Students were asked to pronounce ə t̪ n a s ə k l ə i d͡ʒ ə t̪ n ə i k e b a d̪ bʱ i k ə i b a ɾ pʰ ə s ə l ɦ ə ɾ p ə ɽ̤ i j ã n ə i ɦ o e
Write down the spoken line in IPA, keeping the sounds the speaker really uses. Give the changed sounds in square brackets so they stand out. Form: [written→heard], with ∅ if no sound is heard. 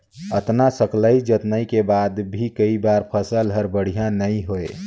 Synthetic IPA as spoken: ə t̪ n a s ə k l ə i d͡ʒ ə t̪ n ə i k e b a d̪ bʱ i k ə i b a ɾ pʰ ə s ə l ɦ ə ɾ [p→b] ə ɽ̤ i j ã n ə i ɦ o e